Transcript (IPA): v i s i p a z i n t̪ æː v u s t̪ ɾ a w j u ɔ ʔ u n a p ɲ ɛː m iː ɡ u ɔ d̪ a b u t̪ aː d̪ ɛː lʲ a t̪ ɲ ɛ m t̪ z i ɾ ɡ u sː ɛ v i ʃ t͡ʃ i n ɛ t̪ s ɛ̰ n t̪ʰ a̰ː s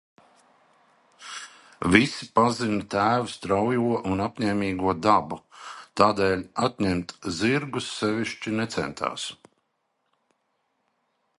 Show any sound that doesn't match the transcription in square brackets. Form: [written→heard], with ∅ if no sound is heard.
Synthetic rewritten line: v i s i p a z i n t̪ æː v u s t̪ ɾ a w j u ɔ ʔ u n a p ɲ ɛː m iː ɡ u ɔ d̪ a b u t̪ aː d̪ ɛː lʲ a t̪ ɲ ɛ m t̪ z i ɾ ɡ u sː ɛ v i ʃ t͡ʃ i n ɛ t̪ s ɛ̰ n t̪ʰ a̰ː s